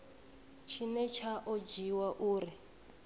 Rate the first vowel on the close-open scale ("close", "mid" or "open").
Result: close